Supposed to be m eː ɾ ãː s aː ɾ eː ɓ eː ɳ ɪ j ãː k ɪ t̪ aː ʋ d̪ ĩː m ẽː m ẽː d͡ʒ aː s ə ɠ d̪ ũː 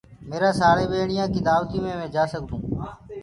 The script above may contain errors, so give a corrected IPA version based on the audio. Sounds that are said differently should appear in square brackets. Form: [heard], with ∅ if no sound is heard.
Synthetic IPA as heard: m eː ɾ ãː s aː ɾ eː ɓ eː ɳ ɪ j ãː k ɪ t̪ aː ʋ [t̪] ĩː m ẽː m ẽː d͡ʒ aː s ə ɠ d̪ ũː